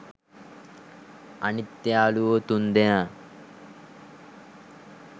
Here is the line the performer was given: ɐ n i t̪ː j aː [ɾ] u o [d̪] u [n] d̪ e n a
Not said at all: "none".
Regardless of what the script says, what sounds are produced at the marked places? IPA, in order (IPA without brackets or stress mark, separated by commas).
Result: l, t̪, n